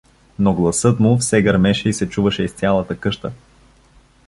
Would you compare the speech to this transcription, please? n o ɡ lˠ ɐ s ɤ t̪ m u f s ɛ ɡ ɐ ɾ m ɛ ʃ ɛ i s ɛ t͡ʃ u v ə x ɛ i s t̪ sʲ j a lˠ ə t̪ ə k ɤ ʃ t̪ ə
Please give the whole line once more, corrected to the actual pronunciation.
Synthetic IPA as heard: n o ɡ lˠ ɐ s ɤ t̪ m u f s ɛ ɡ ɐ ɾ m ɛ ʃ ɛ i s ɛ t͡ʃ u v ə ʃ ɛ i s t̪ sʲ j a lˠ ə t̪ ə k ɤ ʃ t̪ ə